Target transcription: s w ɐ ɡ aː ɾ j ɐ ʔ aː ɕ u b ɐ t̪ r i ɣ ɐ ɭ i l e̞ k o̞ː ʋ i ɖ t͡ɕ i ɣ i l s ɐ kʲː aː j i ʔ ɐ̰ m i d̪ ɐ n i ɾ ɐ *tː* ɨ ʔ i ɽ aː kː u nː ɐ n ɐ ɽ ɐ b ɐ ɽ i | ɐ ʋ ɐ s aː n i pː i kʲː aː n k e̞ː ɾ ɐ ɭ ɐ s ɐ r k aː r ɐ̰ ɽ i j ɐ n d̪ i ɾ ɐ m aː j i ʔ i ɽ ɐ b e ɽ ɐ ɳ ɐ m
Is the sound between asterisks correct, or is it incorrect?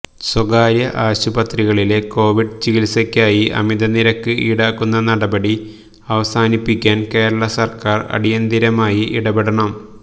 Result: incorrect: kː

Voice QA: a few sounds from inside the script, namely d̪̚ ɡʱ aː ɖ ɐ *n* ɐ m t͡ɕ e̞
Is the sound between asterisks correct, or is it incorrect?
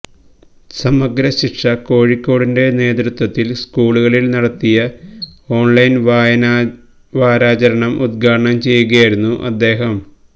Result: incorrect: ɳ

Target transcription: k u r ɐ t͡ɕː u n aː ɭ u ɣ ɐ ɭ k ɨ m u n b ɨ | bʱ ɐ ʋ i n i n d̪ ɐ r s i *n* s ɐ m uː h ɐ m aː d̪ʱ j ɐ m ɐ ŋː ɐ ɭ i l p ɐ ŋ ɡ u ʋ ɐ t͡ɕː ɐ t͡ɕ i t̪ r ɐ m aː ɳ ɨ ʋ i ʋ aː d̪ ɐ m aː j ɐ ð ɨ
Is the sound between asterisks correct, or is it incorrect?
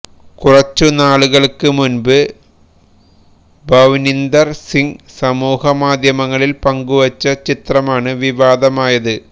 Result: incorrect: ŋ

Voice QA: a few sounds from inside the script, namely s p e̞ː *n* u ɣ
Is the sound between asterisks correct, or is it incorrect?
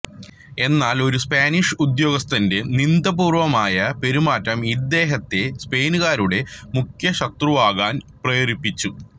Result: correct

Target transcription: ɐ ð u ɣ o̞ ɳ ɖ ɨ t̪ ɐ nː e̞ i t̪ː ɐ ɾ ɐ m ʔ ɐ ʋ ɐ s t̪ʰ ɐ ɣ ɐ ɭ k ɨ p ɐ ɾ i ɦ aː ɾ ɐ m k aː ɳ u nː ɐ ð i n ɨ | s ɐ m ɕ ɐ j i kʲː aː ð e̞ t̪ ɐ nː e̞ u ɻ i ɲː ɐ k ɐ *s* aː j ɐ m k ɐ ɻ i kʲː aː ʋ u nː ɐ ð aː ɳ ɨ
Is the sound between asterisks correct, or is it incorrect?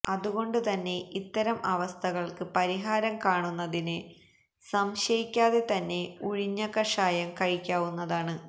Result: incorrect: ʂ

